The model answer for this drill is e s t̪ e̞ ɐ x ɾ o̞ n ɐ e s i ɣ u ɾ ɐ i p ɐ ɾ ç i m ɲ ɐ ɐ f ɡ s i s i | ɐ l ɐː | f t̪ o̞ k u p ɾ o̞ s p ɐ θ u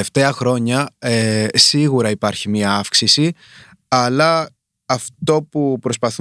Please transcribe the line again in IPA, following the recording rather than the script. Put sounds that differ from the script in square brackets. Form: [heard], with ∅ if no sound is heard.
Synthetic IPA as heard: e [f] t̪ e̞ ɐ x ɾ o̞ [ɲ] ɐ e s i ɣ u ɾ ɐ i p ɐ ɾ ç i m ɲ ɐ ɐ f [k] s i s i | ɐ l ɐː | f t̪ o̞ [p] u p ɾ o̞ s p ɐ θ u